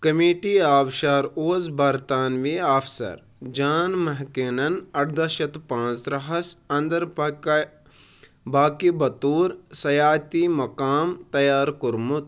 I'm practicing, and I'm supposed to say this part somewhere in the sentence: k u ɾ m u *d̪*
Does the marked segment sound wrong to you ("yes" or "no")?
yes